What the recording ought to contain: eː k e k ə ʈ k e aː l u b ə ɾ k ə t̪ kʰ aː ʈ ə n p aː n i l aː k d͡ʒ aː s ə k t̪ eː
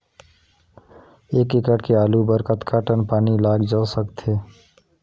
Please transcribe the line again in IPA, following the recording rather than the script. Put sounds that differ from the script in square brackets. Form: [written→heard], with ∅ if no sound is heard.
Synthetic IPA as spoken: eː k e k ə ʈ k e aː l u b ə ɾ k ə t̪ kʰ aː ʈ ə n p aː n i l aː [k→ɡ] d͡ʒ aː s ə k t̪ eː